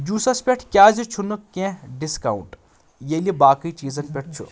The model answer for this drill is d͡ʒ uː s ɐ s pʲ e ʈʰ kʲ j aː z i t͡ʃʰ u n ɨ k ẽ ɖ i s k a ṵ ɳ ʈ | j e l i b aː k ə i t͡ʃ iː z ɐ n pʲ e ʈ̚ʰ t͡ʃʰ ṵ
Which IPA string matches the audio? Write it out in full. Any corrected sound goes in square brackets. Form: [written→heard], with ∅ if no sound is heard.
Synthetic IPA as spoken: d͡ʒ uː s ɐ s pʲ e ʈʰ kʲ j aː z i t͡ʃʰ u n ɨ k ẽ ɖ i s k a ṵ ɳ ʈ | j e l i b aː k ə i t͡ʃ iː z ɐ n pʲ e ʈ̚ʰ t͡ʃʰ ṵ